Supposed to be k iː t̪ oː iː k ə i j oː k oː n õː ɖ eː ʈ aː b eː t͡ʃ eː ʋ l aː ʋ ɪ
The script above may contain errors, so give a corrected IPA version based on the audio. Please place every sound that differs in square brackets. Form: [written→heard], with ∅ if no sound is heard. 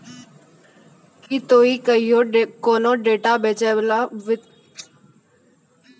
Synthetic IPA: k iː t̪ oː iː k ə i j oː k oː n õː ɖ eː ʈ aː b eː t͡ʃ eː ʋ l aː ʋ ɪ